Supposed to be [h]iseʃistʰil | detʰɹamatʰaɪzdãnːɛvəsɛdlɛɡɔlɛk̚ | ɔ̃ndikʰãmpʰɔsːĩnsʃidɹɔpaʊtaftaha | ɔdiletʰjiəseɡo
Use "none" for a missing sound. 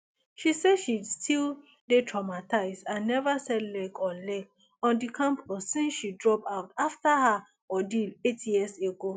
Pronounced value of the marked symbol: ʃ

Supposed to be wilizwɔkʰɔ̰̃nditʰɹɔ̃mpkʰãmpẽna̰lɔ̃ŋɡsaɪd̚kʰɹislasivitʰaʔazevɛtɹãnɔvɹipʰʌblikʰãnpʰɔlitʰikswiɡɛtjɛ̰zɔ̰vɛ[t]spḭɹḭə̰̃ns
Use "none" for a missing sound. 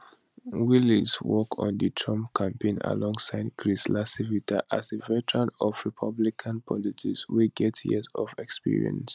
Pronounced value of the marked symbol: k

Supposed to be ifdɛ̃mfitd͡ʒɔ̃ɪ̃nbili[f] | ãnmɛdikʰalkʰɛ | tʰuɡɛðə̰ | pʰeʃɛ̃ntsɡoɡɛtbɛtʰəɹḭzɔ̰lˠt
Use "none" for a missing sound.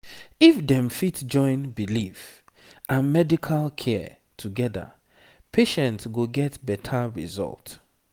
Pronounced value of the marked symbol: f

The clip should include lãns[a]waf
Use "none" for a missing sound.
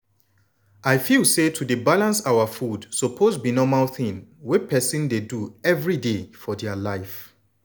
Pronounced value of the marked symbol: a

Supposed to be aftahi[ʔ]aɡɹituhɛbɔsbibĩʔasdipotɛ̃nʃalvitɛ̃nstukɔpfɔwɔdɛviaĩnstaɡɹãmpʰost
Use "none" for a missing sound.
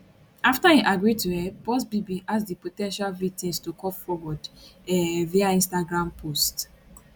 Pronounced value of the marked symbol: ʔ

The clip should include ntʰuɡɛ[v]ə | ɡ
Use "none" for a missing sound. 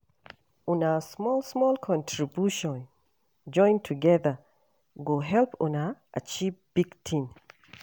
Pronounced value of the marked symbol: ð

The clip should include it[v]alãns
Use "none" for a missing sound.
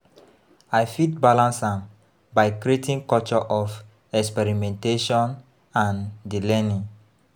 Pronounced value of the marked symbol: b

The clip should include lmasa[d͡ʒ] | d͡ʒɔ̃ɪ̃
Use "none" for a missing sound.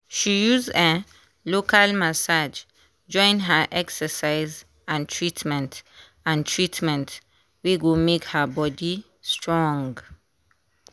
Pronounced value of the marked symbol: d͡ʒ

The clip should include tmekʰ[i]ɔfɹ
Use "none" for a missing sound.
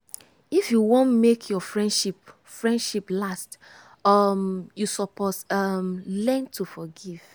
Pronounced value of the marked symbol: j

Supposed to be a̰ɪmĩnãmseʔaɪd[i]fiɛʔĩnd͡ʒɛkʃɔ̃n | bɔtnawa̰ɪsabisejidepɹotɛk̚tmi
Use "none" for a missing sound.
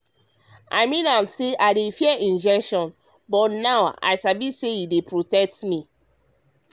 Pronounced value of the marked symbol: e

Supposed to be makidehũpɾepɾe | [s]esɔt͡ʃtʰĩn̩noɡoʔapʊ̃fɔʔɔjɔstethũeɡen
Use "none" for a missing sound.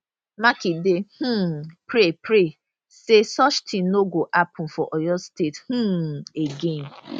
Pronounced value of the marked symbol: s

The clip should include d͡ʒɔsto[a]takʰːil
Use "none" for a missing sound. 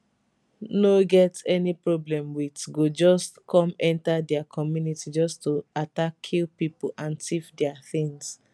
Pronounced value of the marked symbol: a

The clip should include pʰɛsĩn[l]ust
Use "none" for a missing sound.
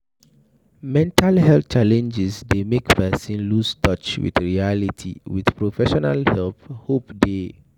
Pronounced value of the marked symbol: l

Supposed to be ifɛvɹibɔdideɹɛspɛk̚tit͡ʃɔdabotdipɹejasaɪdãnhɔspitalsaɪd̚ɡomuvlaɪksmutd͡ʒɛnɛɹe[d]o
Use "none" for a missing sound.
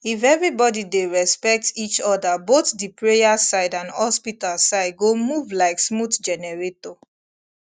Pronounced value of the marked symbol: t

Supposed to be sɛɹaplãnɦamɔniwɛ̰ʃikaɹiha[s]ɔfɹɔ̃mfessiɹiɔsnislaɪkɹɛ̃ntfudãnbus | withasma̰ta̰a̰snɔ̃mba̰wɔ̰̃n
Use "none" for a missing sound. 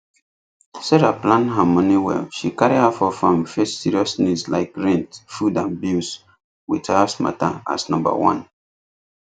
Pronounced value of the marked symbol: f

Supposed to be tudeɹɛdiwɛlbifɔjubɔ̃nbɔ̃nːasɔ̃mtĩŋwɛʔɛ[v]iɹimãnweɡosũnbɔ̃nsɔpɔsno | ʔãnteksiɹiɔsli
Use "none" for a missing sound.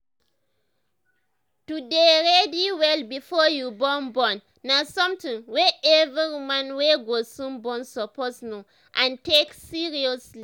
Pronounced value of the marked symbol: v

